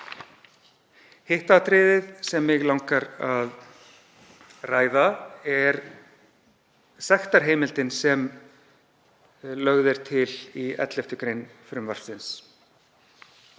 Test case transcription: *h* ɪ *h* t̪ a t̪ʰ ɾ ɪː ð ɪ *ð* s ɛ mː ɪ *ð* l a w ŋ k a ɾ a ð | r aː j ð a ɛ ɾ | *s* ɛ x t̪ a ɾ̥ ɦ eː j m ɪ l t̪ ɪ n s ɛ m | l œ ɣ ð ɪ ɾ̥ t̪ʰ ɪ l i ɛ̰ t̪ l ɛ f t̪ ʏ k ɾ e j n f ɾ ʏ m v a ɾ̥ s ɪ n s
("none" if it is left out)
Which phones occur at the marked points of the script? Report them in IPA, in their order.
h, h, ð, ɣ, s

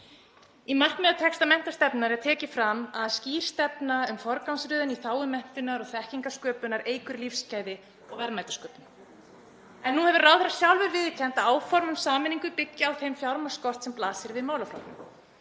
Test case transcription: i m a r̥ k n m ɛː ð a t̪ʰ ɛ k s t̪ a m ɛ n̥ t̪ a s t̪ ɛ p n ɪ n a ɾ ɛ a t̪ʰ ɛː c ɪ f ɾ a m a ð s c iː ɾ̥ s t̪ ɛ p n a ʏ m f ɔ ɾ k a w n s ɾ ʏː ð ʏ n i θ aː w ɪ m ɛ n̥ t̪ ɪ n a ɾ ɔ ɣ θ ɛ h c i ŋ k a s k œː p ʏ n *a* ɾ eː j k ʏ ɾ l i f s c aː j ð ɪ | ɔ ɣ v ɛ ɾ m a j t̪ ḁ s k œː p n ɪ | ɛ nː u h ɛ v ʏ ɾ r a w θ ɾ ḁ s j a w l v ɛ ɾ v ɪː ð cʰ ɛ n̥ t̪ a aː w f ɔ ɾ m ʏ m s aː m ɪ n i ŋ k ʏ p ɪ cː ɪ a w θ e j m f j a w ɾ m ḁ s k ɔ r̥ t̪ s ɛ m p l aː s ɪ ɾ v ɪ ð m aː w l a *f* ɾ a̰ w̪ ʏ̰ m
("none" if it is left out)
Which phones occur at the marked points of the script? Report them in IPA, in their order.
a, f

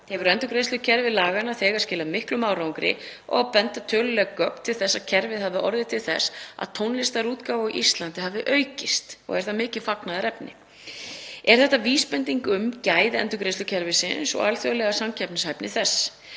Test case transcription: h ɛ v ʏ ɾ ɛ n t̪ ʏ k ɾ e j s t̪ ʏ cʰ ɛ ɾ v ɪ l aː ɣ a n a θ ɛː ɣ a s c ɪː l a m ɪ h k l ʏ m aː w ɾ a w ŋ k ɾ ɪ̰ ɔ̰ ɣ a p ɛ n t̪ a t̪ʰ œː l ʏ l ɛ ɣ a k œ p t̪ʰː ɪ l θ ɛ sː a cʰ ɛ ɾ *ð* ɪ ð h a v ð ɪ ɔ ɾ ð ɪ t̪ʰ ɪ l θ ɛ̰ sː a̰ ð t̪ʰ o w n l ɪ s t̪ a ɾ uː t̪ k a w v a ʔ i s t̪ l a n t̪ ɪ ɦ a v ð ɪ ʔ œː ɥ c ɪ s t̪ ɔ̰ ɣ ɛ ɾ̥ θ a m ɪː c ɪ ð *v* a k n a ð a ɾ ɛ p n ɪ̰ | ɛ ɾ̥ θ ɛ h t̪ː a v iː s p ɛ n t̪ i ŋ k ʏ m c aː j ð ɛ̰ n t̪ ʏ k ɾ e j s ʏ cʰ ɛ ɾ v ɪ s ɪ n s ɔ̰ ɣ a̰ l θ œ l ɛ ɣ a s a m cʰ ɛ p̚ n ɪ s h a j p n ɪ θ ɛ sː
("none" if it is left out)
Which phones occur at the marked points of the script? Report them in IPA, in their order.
v, f

